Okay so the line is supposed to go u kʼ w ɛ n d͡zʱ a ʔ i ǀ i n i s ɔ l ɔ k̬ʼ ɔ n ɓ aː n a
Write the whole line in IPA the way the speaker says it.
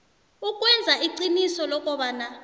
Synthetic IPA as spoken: u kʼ w ɛ n d͡zʱ a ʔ i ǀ i n i s ɔ l ɔ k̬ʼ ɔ ɓ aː n a

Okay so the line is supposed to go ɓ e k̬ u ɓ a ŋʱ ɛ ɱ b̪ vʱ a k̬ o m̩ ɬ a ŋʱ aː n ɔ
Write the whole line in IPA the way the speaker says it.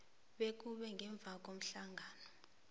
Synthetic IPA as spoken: ɓ e k̬ u ɓ ɛ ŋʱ ɛ ɱ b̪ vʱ a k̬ o m̩ ɬ a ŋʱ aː n ɔ

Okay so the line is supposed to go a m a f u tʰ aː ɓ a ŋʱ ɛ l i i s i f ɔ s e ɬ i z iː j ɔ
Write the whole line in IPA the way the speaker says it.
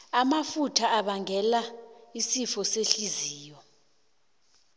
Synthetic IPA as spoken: a m a f u tʰ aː ɓ a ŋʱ ɛ l a i s i f ɔ s e ɬ i z iː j ɔ

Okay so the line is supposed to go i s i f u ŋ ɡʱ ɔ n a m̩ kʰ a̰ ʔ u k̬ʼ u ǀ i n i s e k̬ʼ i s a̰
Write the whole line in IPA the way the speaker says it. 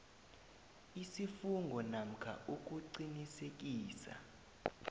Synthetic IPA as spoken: i s i f u ŋ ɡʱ ɔ n a m̩ kʰ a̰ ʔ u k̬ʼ u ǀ i n i s e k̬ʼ iː s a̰

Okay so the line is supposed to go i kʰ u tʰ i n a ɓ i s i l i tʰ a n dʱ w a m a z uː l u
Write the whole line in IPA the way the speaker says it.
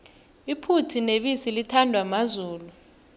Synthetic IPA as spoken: i pʰ u tʰ i n e ɓ i s i l i tʰ a n dʱ w a m a z uː l u

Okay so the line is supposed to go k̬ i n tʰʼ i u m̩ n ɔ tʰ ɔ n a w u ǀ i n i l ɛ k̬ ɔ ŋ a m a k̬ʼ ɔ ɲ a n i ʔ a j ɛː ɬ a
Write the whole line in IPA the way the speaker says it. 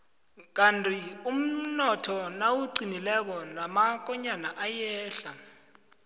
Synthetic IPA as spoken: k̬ a n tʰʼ i u m̩ n ɔ tʰ ɔ n a w u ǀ i n i l ɛ k̬ ɔ n a m a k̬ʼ ɔ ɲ a n a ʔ a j ɛː ɬ a

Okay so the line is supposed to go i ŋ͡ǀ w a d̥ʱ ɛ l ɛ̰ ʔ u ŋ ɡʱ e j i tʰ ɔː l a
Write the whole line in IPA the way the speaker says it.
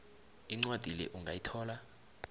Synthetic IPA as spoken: i ŋ͡ǀ w a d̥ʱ i l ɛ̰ ʔ u ŋ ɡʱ a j i tʰ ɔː l a

